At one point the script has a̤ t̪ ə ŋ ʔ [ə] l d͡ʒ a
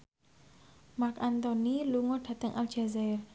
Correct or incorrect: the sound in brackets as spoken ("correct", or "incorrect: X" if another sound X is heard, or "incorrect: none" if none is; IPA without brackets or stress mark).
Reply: incorrect: a